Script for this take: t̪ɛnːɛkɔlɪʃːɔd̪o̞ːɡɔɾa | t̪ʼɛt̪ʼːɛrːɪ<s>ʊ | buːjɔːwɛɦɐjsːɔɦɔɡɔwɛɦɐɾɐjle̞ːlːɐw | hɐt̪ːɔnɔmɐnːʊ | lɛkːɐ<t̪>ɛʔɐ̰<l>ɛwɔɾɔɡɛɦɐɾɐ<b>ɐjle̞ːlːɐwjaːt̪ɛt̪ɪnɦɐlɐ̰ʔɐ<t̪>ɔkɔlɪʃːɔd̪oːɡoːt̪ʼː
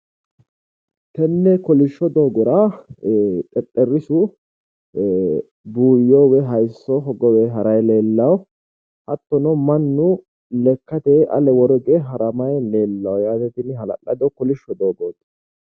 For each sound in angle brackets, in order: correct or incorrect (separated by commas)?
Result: correct, correct, correct, incorrect, incorrect